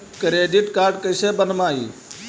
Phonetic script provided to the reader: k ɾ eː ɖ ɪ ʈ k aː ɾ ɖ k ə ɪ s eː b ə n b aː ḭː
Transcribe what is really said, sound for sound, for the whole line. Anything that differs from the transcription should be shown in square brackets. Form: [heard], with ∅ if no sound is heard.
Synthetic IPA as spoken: k ɾ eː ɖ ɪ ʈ k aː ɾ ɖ k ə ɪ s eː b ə n [m] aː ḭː